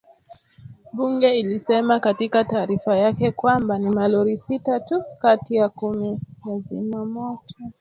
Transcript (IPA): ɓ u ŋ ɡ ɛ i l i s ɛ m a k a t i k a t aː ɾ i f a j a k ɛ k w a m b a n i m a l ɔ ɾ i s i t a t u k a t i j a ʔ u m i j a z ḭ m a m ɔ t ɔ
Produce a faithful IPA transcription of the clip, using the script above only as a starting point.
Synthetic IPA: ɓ u ŋ ɡ ɛ i l i s ɛ m a k a t i k a t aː ɾ i f a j a k ɛ k w a m b a n i m a l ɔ ɾ i s i t a t u k a t i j a k u m i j a z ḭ m a m ɔ t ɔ